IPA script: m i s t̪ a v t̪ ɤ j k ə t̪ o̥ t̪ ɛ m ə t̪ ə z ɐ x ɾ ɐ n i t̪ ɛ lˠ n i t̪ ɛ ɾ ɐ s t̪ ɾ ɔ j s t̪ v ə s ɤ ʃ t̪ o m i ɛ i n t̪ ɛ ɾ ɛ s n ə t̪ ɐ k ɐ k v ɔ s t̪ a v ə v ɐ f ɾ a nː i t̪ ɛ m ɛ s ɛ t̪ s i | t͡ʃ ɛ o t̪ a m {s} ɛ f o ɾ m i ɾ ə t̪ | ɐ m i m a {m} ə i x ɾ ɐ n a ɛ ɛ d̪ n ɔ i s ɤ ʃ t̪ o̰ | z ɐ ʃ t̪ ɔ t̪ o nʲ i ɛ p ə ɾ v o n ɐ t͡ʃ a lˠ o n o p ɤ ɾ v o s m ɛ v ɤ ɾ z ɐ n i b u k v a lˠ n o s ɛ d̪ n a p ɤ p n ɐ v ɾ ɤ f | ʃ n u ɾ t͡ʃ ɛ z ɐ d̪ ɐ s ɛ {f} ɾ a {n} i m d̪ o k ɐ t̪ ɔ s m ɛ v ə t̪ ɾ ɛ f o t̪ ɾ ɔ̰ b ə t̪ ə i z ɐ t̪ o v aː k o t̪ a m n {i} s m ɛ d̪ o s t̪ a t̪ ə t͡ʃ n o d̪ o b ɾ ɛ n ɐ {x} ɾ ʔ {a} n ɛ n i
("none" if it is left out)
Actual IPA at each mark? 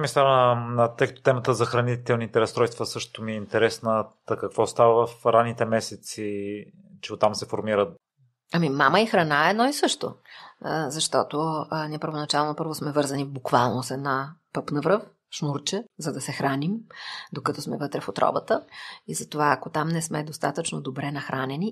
s, m, x, n, ɛ, x, a

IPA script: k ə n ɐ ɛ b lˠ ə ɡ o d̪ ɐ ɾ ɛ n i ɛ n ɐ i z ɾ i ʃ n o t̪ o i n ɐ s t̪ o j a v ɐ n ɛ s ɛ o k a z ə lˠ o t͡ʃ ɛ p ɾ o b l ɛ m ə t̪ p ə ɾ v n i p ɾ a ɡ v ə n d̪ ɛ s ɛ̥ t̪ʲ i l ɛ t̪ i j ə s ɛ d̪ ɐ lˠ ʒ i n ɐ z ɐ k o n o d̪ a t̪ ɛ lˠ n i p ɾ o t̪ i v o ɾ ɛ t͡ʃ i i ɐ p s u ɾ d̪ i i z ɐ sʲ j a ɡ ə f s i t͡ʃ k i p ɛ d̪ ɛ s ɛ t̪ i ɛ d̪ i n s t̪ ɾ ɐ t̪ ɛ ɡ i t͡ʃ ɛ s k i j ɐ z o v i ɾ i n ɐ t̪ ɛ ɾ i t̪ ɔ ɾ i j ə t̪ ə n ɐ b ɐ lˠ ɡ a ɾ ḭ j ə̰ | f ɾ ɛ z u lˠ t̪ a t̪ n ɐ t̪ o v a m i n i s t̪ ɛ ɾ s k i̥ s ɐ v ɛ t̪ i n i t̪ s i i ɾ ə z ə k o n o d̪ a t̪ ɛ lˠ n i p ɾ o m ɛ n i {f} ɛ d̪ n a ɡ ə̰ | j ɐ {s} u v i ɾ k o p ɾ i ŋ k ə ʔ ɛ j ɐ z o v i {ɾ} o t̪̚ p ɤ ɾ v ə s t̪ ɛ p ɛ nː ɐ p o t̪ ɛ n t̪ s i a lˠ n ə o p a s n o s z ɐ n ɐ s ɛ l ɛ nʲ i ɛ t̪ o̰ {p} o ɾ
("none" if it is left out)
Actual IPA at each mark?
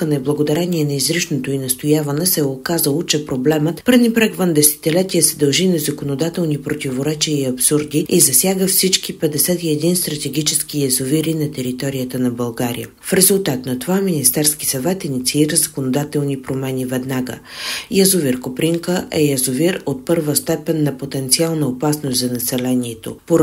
v, z, ɾ, p

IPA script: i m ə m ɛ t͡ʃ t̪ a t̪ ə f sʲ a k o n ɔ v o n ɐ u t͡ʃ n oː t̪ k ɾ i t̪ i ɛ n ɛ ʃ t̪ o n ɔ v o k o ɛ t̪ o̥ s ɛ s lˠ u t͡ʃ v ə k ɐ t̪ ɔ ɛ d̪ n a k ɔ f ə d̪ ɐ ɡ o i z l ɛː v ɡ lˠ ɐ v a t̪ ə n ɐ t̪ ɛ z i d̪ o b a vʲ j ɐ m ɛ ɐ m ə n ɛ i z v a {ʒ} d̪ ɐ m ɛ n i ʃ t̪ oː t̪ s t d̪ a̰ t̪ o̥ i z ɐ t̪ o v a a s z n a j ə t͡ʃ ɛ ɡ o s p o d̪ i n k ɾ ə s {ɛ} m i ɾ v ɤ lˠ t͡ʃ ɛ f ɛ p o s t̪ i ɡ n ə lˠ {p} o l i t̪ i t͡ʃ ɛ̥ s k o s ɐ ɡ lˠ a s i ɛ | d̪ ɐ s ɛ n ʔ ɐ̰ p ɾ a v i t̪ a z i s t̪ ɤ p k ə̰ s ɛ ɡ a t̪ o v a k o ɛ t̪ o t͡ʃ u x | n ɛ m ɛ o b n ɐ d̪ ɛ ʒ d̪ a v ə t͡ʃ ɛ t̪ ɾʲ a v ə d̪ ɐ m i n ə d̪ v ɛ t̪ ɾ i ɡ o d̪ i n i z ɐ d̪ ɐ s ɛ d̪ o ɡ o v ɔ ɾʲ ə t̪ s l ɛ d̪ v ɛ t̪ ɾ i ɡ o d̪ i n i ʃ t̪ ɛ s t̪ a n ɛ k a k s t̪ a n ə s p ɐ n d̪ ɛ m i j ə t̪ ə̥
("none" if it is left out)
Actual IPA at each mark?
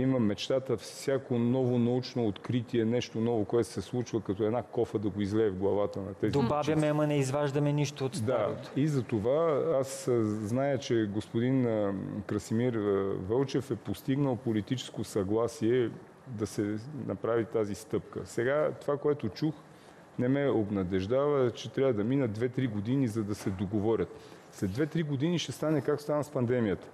ʒ, i, p

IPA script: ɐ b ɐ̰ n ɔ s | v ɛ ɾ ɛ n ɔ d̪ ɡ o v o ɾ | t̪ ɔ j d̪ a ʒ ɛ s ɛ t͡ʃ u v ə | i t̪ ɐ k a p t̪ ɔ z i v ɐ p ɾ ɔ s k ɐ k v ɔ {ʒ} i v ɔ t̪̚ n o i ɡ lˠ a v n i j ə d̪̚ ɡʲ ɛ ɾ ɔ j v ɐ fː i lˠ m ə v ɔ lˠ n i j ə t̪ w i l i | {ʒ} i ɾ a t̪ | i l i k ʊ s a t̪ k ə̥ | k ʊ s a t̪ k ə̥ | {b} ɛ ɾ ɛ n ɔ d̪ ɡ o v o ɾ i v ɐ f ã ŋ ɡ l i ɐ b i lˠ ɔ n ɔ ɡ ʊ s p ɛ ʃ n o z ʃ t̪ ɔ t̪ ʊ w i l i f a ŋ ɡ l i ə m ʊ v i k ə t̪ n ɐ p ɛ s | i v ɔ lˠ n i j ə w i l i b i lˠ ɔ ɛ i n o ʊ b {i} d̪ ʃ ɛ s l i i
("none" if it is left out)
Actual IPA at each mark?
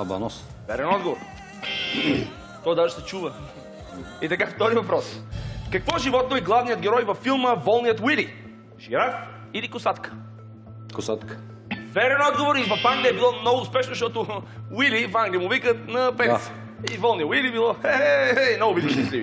ʒ, ʒ, v, i

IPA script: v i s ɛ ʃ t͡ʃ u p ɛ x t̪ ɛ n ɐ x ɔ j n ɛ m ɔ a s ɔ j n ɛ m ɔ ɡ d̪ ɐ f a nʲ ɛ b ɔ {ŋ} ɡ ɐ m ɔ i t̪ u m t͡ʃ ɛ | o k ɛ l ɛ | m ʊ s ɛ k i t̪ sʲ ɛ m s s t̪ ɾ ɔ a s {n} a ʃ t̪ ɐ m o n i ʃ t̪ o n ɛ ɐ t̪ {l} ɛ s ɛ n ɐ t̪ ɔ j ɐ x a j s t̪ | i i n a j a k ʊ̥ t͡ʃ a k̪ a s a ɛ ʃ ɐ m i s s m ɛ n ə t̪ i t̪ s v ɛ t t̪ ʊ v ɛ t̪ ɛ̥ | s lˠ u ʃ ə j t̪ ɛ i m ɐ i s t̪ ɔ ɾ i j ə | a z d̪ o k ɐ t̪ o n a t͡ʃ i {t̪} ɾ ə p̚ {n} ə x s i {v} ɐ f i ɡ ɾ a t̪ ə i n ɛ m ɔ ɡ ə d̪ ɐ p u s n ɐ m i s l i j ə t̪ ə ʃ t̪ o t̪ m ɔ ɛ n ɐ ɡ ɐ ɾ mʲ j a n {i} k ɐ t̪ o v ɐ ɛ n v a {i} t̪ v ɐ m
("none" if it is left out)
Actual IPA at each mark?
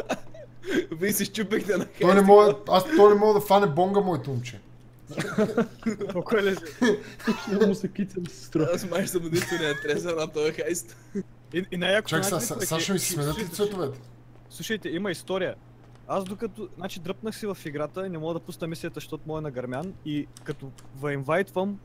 ŋ, m, ɾ, d̪, n, v, i, j

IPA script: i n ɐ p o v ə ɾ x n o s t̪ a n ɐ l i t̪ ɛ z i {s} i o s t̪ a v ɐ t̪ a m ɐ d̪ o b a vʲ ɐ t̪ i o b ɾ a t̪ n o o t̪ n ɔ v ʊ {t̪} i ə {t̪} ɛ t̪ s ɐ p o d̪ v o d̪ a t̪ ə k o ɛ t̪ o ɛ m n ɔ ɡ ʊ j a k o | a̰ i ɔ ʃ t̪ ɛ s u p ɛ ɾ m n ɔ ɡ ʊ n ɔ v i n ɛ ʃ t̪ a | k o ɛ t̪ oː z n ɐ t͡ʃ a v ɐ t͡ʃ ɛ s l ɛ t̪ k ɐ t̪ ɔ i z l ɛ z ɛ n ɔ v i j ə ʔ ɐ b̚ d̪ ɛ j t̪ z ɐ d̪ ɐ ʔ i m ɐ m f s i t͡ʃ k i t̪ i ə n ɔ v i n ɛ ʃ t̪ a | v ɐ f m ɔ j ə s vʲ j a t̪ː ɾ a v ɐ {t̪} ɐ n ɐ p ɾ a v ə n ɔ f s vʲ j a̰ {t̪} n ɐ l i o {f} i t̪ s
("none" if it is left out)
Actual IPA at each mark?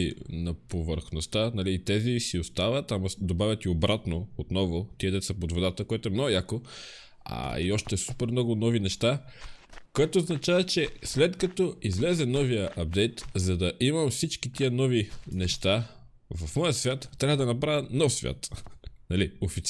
s, t̪, d̪, d̪, t̪, f

